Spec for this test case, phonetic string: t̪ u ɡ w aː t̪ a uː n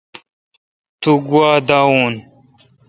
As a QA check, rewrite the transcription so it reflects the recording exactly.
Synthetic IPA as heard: t̪ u ɡ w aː d̪ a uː n

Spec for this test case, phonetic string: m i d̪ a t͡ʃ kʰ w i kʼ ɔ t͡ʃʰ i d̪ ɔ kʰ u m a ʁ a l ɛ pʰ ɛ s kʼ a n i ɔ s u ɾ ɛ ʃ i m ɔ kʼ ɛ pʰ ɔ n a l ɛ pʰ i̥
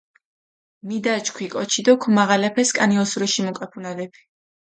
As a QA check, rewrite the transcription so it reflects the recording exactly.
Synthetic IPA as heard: m i d̪ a t͡ʃ kʰ w i kʼ ɔ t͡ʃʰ i d̪ ɔ kʰ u m a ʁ a l ɛ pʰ ɛ s kʼ a n i ɔ s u ɾ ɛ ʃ i m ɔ kʼ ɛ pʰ u n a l ɛ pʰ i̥

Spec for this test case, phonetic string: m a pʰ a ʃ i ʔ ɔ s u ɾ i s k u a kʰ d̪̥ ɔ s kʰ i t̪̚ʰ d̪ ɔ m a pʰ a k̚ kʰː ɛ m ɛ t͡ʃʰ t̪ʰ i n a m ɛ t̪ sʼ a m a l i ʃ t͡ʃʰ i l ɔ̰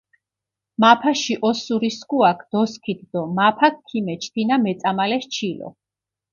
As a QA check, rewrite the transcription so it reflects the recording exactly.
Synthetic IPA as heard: m a pʰ a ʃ i ʔ ɔ s u ɾ i s k u a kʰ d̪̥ ɔ s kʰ i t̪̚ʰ d̪ ɔ m a pʰ a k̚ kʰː i m ɛ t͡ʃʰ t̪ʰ i n a m ɛ t̪ sʼ a m a l ɛ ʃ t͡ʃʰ i l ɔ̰

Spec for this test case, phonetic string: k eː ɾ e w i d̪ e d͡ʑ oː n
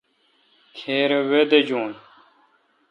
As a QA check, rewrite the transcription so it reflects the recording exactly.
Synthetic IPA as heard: kʰ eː ɾ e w e d̪ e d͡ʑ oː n

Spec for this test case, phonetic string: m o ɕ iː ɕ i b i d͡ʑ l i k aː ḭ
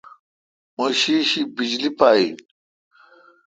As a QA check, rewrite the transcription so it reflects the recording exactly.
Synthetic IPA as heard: m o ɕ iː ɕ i b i d͡ʑ l i p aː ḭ

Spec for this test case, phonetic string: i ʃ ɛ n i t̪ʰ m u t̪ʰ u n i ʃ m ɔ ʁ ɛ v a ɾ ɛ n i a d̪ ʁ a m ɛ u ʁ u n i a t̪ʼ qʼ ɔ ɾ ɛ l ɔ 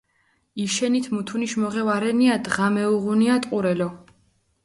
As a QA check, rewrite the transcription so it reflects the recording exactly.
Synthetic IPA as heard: i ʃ ɛ n i t̪ʰ m u t̪ʰ u n i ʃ m ɔ ʁ ɛ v a ɾ ɛ n i a d̪ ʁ a m ɛ u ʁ u n i a t̪ʼ qʼ u ɾ ɛ l ɔ

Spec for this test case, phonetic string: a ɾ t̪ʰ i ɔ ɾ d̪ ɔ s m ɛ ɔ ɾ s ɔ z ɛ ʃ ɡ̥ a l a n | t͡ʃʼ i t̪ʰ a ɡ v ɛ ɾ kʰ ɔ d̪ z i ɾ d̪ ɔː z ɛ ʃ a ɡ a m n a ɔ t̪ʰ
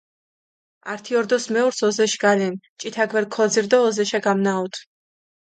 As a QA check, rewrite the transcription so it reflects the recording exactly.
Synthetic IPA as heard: a ɾ t̪ʰ i ɔ ɾ d̪ ɔ s m ɛ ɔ ɾ s ɔ z ɛ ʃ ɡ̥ a l ɛ n | t͡ʃʼ i t̪ʰ a ɡ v ɛ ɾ kʰ ɔ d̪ z i ɾ d̪ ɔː z ɛ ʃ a ɡ a m n a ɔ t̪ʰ

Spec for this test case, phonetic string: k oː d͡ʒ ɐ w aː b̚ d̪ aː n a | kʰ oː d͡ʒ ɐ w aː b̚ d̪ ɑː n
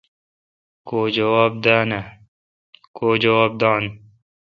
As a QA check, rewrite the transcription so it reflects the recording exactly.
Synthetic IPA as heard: k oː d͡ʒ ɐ w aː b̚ d̪ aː n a | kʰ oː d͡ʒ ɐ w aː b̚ d̪ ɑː n

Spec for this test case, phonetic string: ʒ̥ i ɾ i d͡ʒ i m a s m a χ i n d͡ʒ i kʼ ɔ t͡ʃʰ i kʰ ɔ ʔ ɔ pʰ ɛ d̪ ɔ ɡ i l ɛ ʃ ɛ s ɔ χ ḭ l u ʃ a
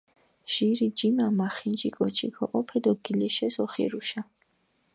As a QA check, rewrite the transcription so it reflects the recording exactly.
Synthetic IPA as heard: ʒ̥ i ɾ i d͡ʒ i m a m a χ i n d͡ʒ i kʼ ɔ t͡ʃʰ i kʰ ɔ ʔ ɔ pʰ ɛ d̪ ɔ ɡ i l ɛ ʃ ɛ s ɔ χ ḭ ɾ u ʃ a

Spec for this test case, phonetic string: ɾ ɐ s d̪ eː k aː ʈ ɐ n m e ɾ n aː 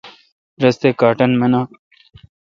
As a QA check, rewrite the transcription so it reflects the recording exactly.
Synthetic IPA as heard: ɾ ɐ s t̪ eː k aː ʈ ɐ n m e n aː

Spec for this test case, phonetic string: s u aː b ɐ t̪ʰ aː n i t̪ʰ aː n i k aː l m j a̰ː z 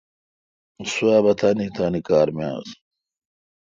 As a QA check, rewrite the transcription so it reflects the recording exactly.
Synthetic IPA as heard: s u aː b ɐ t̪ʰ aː n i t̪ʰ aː n i k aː ɾ m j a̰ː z

